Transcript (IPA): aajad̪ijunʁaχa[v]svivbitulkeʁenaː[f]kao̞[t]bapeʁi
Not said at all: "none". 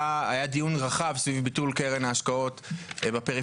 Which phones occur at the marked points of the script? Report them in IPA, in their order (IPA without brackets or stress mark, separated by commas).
v, ʃ, t